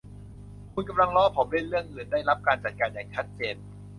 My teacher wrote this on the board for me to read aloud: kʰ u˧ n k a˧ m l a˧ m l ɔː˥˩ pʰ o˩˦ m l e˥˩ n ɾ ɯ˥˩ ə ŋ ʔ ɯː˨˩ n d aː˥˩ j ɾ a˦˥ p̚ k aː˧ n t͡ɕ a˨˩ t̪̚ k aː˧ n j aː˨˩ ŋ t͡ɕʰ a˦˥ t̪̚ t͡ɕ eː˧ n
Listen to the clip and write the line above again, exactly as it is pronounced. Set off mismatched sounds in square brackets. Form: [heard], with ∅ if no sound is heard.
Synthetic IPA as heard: kʰ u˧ n k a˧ m l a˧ [ŋ] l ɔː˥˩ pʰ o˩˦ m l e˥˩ n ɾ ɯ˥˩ ə ŋ ʔ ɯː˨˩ n d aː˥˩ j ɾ a˦˥ p̚ k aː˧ n t͡ɕ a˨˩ t̪̚ k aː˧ n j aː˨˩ ŋ t͡ɕʰ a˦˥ t̪̚ t͡ɕ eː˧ n